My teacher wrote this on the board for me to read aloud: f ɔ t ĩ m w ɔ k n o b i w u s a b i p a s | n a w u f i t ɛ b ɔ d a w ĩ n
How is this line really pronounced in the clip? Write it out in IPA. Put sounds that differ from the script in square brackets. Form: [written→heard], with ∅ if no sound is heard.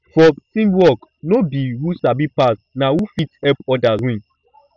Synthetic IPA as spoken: f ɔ t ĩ m w ɔ k n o b i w u s a b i p a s | n a w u f i t ɛ [b→p] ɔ d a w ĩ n